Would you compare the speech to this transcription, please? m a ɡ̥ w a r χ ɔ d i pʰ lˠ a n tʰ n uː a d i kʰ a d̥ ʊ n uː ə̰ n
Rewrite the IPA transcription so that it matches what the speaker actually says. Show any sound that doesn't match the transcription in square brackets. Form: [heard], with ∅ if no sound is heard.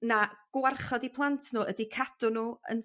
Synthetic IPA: [n] a ɡ̥ w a r χ ɔ d i pʰ lˠ a n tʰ n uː [ə] d i kʰ a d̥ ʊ n uː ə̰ n

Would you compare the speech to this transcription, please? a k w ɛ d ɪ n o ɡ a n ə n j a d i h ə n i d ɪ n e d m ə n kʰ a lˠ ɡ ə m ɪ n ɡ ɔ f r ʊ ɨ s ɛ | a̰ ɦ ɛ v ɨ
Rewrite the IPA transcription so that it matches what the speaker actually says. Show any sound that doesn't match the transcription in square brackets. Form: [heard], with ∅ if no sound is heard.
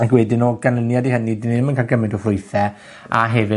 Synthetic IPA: a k w ɛ d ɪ n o ɡ a n ə n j a d i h ə n i d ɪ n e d m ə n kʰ a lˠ ɡ ə m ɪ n [d] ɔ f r ʊ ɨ [θ] ɛ | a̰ ɦ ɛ v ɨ

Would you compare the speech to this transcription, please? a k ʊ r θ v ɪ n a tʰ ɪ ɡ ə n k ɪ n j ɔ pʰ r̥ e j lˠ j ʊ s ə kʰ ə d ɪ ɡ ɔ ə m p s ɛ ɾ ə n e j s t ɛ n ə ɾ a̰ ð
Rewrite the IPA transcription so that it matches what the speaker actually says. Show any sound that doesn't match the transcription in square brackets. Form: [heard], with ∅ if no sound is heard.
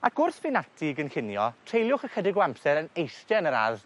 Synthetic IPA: a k ʊ r θ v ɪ n a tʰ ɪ ɡ ə n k ɪ n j ɔ [tʰ] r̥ e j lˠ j ʊ [χ] ə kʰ ə d ɪ ɡ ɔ [a] m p s ɛ ɾ ə n e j s t ɛ n ə ɾ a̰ ð

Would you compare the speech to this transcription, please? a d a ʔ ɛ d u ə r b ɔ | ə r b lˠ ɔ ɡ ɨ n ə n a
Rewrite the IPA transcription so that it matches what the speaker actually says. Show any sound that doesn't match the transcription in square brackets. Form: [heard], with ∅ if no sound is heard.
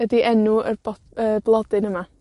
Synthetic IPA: [ə] d [i] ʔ ɛ [n] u ə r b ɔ | ə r b lˠ ɔ [d] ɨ n ə [m] a

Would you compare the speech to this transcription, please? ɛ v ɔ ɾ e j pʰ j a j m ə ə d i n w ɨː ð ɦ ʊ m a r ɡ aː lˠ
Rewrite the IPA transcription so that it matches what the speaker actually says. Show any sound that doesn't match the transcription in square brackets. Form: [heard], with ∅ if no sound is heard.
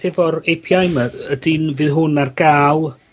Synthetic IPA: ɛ v ɔ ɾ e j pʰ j a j m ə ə d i n [v] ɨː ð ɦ ʊ [n] a r ɡ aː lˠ

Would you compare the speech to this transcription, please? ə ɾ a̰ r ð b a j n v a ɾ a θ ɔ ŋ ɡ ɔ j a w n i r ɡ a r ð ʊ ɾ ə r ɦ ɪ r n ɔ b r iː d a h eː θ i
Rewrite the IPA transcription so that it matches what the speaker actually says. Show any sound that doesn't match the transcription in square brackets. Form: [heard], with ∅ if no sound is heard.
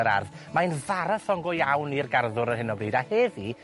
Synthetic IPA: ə ɾ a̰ r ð [m] a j n v a ɾ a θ ɔ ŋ ɡ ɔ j a w n i r ɡ a r ð ʊ ɾ ə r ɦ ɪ [∅] n ɔ b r iː d a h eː [ð] i

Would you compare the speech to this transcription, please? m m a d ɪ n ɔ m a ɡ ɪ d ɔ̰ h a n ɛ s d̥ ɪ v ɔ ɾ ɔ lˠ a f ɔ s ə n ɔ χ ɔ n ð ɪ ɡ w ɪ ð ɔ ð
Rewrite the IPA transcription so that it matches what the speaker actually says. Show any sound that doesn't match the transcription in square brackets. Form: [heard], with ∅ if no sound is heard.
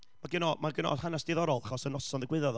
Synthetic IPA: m m a [ɡ] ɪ n ɔ m a ɡ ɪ [n] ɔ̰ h a n [a] s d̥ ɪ [ð] ɔ ɾ ɔ lˠ a [χ] ɔ s ə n ɔ [s] ɔ n ð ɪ ɡ w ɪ ð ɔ ð

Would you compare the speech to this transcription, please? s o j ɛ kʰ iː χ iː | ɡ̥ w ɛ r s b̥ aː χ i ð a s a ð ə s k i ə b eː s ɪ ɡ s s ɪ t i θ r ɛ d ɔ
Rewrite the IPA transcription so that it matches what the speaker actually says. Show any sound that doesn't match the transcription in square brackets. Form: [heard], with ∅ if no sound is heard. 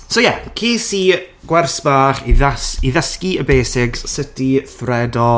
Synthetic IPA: s o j ɛ kʰ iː [s] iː | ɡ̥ w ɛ r s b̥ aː χ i ð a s [i] ð ə s k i ə b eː s ɪ ɡ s s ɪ t i θ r ɛ d ɔ

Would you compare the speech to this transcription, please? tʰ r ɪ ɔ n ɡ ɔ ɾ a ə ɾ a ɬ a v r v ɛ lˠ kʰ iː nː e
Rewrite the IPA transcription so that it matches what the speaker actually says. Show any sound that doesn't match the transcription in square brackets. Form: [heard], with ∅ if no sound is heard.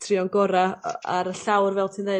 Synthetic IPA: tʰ r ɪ ɔ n ɡ ɔ ɾ a [a] ɾ [ə] ɬ a [w] r v ɛ lˠ [tʰ] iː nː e

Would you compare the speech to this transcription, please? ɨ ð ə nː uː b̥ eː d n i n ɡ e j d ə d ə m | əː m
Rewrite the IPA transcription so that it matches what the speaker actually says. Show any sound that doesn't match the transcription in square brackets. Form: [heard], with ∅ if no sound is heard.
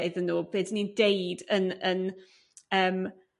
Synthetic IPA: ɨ ð ə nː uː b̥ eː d n i n [d] e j d ə [n] ə [n] | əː m

